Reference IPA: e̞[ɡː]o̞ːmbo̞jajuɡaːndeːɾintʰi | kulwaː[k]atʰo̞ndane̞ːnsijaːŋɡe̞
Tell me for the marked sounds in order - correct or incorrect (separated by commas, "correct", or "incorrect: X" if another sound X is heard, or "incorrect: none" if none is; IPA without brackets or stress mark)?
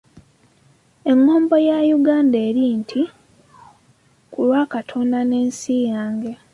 incorrect: ŋː, correct